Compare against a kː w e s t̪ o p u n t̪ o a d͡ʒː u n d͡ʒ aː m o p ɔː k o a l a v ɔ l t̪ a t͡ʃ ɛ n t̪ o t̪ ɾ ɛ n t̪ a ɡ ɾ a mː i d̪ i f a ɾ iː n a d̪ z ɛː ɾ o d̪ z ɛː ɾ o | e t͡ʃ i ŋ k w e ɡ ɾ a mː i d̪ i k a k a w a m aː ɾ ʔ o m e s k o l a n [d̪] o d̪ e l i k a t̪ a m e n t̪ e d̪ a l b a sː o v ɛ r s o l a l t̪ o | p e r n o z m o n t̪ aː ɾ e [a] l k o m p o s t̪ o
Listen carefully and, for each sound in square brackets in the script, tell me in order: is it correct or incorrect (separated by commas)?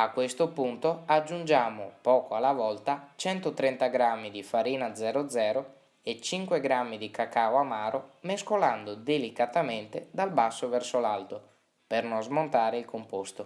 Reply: correct, incorrect